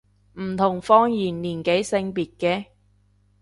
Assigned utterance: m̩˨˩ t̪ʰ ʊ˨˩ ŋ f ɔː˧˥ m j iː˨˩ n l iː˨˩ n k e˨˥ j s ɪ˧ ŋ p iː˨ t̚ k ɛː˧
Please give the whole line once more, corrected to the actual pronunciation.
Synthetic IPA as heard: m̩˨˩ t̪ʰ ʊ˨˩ ŋ f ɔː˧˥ ŋ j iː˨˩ n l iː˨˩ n k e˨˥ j s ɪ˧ ŋ p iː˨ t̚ k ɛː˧